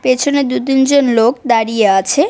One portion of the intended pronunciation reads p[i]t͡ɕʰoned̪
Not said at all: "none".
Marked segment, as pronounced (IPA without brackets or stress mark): e